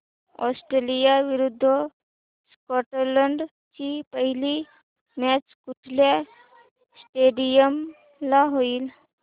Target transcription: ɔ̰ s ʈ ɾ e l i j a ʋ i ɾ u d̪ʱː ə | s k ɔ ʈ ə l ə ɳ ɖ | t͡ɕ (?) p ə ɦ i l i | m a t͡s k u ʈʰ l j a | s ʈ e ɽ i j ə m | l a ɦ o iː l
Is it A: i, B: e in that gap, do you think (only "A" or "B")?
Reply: A